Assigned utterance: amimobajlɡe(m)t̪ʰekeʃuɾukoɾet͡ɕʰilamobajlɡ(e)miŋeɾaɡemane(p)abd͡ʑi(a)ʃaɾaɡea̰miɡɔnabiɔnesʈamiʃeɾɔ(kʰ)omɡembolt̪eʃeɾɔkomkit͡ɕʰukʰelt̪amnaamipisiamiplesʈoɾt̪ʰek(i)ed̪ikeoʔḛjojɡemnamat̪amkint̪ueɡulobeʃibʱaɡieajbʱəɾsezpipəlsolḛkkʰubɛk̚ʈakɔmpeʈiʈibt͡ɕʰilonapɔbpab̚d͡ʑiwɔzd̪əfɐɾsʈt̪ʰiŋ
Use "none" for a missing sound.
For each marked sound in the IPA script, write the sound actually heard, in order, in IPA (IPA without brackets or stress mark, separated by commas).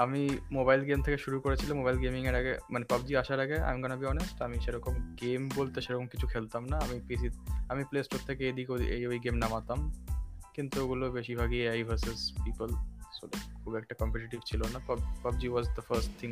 m, e, p, a, k, e